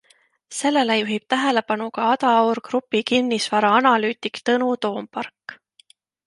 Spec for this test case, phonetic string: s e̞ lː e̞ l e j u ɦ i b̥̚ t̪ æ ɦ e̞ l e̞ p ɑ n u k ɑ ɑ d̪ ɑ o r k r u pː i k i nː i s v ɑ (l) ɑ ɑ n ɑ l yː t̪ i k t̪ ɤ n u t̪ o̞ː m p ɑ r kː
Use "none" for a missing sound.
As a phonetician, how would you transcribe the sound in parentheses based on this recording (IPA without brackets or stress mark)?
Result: ɾ